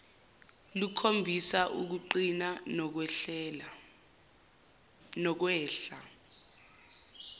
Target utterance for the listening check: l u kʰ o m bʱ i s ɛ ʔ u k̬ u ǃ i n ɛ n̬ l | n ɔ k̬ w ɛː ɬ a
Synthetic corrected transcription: l u kʰ o m bʱ i s a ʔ u k̬ u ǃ i n a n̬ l | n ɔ k̬ w ɛː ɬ a